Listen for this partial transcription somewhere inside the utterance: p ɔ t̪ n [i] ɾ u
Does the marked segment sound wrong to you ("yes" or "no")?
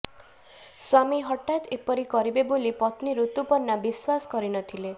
no